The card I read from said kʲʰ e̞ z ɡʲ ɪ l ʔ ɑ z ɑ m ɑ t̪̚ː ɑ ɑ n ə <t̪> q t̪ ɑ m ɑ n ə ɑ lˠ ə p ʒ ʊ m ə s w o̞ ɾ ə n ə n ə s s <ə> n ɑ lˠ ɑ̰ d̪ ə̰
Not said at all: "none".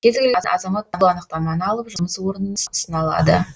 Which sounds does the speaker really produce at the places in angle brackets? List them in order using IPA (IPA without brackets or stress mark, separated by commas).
none, ə